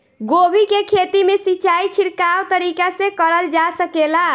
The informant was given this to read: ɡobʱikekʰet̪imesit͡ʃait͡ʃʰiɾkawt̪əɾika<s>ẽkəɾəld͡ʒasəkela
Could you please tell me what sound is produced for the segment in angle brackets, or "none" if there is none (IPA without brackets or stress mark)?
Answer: s